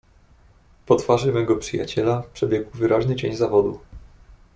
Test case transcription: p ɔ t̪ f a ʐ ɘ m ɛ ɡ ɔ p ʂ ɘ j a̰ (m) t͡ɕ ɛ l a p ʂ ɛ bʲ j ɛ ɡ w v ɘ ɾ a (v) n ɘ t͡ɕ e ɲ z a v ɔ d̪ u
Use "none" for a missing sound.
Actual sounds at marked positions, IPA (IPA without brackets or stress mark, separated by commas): none, ʑ